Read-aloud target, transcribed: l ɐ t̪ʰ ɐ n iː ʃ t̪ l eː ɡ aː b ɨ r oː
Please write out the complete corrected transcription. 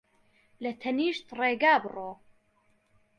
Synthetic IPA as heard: l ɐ t̪ʰ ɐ n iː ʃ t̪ r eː ɡ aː b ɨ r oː

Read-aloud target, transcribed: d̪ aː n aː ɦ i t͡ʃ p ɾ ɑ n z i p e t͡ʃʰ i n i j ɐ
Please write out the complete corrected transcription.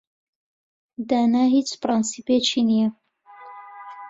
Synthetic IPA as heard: d̪ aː n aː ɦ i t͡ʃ p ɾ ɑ n s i p e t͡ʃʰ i n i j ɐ

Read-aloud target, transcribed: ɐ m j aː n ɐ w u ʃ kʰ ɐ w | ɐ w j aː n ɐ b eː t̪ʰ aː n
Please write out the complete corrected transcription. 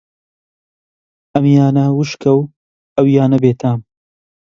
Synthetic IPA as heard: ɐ m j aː n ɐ w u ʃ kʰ ɐ w | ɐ w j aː n ɐ b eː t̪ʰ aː m

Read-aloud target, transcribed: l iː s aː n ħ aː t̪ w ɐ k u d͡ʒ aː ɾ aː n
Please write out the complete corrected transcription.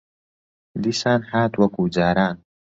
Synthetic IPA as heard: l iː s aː n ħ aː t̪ w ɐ k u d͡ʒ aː ɾ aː n

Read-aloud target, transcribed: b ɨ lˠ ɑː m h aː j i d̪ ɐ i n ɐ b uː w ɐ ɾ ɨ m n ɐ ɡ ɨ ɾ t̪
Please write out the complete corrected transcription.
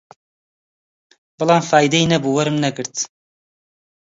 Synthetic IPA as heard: b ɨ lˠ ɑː m f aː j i d̪ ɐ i n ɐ b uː w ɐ ɾ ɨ m n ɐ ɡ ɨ ɾ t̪

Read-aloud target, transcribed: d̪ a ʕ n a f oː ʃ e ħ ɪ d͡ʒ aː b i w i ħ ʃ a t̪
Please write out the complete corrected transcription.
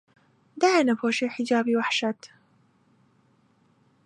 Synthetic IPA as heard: d̪ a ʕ n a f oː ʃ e ħ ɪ d͡ʒ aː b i w a ħ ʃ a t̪

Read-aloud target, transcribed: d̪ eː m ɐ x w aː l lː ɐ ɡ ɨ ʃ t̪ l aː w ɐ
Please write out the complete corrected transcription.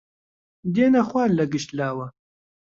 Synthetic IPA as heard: d̪ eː n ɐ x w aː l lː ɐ ɡ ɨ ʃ t̪ l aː w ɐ

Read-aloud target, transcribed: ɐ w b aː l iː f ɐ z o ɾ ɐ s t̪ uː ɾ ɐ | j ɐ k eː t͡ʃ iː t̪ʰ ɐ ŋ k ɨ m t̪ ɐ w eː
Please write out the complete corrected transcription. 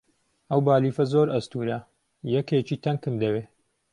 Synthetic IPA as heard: ɐ w b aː l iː f ɐ z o ɾ ɐ s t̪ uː ɾ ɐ | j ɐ k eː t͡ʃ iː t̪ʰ ɐ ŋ k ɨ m d̪ ɐ w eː

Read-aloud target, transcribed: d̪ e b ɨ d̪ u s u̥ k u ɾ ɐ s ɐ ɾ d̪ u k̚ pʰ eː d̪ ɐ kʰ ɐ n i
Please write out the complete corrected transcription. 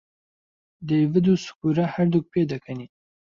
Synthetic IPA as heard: d̪ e v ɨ d̪ u s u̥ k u ɾ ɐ h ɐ ɾ d̪ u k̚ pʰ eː d̪ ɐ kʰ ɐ n i

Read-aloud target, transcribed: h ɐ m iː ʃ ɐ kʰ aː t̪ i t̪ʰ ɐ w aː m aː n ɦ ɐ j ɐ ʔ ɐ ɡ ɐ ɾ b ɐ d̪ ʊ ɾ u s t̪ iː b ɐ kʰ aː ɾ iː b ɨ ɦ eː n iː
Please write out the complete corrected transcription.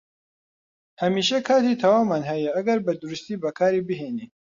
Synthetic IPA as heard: h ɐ m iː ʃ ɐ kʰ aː t̪ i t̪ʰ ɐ w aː m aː n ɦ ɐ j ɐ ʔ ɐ ɡ ɐ ɾ b ɐ d̪ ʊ ɾ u s t̪ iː b ɐ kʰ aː ɾ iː b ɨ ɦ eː n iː

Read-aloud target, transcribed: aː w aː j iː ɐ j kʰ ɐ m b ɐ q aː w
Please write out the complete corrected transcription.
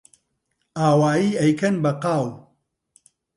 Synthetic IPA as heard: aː w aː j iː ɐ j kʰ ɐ n b ɐ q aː w

